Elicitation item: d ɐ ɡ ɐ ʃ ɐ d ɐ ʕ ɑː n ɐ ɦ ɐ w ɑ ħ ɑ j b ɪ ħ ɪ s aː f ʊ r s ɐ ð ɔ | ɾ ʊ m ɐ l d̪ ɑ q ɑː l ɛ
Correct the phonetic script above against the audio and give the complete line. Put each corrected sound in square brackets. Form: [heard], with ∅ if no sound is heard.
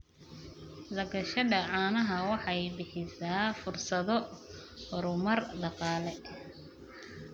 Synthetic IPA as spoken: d ɐ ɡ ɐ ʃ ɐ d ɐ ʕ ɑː n ɐ ɦ ɐ w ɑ ħ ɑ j b ɪ ħ ɪ s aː f ʊ r s ɐ ð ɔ | ɾ ʊ m ɐ [r] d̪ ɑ q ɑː l ɛ